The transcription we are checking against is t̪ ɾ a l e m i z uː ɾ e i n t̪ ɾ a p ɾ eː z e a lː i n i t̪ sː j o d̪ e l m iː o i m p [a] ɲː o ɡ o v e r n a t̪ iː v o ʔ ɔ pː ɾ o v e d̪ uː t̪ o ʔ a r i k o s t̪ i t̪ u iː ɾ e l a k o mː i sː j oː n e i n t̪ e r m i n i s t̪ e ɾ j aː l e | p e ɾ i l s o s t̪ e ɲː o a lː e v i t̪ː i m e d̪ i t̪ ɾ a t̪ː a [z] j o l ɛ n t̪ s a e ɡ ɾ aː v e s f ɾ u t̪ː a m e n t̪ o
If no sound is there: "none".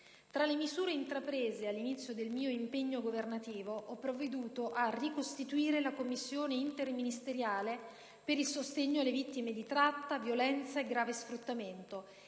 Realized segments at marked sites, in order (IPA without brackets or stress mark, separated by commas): e, v